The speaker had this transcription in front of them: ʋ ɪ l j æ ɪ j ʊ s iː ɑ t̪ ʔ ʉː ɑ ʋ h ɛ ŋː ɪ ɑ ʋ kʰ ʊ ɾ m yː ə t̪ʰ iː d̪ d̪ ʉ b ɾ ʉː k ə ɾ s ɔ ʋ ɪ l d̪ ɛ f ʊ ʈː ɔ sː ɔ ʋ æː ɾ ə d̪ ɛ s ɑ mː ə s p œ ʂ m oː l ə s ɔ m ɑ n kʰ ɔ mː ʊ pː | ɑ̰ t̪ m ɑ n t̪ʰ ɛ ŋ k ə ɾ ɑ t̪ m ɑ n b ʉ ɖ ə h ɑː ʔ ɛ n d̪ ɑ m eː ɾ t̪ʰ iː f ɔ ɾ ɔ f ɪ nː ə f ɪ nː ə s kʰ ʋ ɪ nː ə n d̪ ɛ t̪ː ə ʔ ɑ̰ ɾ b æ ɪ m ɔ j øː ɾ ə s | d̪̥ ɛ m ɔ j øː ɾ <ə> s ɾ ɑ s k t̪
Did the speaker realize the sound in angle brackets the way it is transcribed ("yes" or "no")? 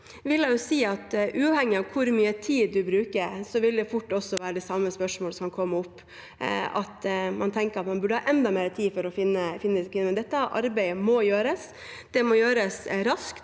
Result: yes